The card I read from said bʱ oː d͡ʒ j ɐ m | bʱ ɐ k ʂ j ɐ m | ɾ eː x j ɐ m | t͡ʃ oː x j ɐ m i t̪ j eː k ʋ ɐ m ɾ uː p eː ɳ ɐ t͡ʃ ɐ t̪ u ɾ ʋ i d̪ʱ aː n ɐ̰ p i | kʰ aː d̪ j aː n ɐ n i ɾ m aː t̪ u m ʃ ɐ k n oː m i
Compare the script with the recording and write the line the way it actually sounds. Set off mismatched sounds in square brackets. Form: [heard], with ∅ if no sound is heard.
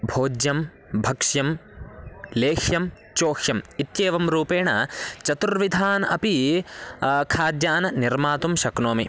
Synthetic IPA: bʱ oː d͡ʒ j ɐ m | bʱ ɐ k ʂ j ɐ m | [l] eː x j ɐ m | t͡ʃ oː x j ɐ m i t̪ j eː [∅] ʋ ɐ m ɾ uː p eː ɳ ɐ t͡ʃ ɐ t̪ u ɾ ʋ i d̪ʱ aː n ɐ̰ p i | kʰ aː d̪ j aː n ɐ n i ɾ m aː t̪ u m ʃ ɐ k n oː m i